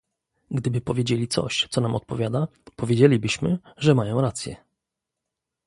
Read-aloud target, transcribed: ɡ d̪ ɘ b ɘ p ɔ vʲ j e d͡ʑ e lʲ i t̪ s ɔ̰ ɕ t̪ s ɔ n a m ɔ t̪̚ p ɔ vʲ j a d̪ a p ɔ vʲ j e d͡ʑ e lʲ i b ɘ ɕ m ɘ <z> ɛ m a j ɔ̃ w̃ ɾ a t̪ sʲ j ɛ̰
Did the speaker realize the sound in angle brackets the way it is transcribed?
no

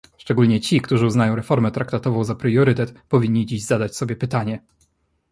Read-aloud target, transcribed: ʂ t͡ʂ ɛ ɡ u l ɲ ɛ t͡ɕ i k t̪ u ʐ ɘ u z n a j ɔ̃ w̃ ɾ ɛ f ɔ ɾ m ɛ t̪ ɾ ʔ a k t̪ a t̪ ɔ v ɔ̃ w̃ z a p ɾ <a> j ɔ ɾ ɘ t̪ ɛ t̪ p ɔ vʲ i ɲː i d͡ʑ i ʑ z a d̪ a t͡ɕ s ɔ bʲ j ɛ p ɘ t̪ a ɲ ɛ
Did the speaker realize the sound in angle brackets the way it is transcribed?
no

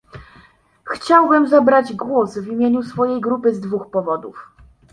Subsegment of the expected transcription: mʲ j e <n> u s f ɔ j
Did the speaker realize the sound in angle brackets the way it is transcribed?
no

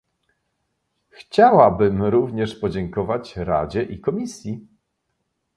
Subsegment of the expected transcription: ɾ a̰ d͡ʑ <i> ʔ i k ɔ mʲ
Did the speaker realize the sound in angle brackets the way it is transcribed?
no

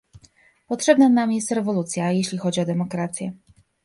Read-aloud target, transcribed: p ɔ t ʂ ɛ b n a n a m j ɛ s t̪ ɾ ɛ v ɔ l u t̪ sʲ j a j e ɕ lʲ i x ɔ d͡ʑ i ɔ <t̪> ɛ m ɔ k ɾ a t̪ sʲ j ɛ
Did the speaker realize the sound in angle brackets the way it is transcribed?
no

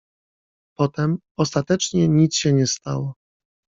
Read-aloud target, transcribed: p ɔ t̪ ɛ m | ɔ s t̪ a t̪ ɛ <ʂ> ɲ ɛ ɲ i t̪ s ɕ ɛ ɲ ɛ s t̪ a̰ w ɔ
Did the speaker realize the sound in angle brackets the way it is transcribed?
no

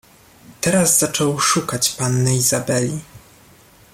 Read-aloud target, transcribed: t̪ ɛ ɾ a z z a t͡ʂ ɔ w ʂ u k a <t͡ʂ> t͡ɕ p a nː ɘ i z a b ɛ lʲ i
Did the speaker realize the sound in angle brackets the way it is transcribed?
no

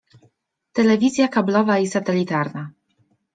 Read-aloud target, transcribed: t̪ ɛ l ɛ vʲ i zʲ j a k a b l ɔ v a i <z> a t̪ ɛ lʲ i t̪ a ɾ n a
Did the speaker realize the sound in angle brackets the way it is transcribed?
no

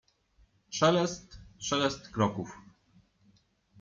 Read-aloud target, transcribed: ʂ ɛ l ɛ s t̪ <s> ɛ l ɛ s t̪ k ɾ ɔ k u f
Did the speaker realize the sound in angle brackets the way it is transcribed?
no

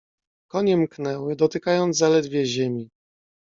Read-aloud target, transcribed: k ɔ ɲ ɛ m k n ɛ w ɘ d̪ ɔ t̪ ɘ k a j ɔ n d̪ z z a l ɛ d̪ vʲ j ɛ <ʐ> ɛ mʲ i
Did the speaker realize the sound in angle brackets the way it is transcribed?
no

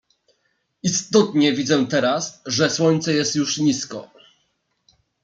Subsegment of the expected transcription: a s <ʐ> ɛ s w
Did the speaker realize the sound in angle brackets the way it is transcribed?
yes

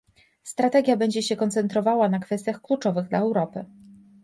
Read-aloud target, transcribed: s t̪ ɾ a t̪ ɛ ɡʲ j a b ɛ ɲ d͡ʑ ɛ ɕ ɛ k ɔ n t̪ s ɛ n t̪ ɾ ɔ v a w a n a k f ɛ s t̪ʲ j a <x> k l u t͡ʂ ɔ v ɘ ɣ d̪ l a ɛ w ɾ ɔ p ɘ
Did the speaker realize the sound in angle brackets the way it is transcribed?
yes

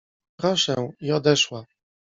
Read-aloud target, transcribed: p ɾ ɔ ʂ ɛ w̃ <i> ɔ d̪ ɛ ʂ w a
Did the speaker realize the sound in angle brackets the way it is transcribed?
yes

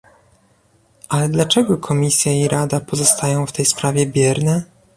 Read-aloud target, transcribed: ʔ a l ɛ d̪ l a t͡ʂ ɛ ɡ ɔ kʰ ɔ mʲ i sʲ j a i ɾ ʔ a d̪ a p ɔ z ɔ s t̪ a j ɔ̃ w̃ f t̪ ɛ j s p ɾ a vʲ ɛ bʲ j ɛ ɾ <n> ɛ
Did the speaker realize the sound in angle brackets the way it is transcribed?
yes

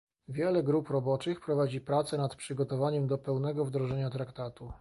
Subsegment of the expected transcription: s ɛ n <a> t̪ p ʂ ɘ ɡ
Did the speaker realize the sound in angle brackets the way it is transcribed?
yes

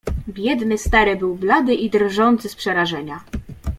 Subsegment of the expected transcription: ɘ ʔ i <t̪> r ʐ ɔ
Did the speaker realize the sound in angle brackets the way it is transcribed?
no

